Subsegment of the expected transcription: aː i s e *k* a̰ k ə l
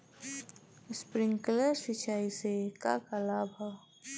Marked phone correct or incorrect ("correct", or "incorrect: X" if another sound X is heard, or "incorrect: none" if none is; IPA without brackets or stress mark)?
correct